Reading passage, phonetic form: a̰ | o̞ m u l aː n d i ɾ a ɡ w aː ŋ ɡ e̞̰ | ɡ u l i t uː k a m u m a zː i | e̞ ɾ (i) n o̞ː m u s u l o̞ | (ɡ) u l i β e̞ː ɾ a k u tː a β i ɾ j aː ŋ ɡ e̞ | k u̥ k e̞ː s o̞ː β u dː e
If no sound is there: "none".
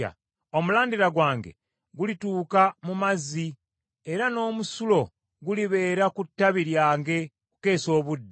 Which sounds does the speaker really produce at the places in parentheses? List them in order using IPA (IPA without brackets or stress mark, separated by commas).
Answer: a, ɡ